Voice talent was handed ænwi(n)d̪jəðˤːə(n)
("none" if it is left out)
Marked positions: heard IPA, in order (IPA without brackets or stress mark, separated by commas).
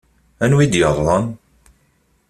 none, n